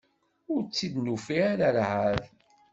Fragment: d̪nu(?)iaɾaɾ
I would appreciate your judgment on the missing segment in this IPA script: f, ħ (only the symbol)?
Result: f